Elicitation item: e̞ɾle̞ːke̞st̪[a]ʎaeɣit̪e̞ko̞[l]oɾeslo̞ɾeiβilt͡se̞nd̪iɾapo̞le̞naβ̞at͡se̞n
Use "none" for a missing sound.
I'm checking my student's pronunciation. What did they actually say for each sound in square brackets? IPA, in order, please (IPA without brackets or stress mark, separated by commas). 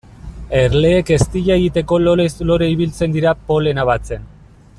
i, l